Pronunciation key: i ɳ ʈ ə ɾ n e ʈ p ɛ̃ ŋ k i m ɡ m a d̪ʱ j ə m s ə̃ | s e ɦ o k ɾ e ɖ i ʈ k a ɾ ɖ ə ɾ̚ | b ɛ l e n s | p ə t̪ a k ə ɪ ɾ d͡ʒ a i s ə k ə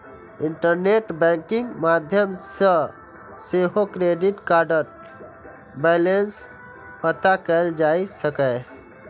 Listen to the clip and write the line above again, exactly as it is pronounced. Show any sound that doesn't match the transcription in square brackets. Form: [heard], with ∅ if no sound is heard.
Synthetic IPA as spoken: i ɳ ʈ ə ɾ n e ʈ [b] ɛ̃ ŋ k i [ŋ] ɡ m a d̪ʱ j ə m s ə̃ | s e ɦ o k ɾ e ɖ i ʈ k a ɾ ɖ ə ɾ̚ | b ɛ l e n s | p ə t̪ a k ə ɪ [l] d͡ʒ a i s ə k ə